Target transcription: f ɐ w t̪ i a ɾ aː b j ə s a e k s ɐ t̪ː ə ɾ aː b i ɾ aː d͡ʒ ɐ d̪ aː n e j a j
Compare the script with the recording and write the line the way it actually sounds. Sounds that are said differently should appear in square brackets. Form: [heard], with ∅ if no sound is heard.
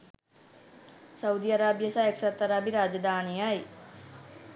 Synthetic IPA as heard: [s] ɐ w [d̪] i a ɾ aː b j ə s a e k s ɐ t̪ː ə ɾ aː b i ɾ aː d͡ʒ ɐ d̪ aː n [i] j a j